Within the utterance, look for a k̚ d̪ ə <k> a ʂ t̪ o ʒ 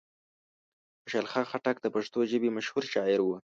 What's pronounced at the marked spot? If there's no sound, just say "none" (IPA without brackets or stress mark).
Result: p